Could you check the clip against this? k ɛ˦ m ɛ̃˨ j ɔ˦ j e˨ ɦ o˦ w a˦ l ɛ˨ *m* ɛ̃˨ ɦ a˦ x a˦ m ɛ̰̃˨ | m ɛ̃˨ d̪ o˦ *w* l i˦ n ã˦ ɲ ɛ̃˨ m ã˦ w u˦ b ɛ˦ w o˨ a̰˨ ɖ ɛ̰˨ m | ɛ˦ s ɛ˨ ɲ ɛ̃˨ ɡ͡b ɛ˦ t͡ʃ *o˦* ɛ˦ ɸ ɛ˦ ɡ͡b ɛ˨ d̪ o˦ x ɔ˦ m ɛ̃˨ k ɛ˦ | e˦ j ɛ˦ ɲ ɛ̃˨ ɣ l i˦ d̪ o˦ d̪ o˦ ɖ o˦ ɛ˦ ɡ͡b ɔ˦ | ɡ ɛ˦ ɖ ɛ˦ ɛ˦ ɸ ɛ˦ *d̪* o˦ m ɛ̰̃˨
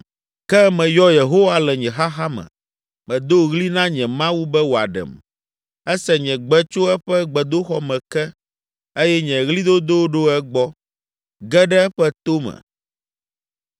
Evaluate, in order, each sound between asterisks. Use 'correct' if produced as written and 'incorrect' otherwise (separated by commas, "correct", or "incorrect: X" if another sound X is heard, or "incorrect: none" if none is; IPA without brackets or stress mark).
incorrect: ɲ, incorrect: ɣ, correct, incorrect: t̪